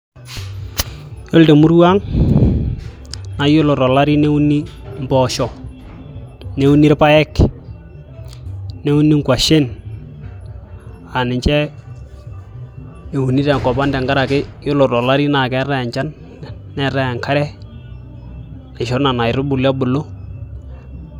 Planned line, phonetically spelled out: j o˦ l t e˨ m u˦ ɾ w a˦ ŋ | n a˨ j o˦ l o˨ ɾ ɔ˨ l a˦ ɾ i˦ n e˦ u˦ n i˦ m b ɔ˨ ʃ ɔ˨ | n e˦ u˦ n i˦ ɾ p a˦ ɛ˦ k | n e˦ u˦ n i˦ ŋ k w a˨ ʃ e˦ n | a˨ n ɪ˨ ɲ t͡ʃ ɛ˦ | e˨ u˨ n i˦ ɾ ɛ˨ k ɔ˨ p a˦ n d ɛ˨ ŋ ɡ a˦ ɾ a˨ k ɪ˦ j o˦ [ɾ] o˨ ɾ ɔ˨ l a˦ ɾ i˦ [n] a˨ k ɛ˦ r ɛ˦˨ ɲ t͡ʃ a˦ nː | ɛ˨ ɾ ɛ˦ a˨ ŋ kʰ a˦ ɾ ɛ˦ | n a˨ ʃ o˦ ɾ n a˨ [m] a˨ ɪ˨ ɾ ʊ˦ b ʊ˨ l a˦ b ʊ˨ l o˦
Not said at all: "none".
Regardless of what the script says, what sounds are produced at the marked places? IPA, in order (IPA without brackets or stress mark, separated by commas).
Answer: l, n, n